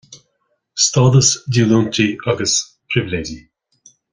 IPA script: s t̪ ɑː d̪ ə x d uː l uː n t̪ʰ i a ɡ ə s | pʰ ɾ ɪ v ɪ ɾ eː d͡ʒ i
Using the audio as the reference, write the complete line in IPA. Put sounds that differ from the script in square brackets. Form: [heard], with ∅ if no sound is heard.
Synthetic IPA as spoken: s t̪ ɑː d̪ ə [s] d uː l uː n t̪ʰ i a ɡ ə s | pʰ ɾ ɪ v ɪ [l] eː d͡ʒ i